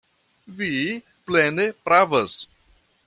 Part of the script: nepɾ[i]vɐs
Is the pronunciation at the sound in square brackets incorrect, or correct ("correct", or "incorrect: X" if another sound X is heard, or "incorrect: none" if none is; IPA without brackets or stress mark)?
incorrect: a